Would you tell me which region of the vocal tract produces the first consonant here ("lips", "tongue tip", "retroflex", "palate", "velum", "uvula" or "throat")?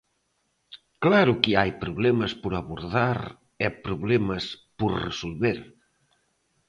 velum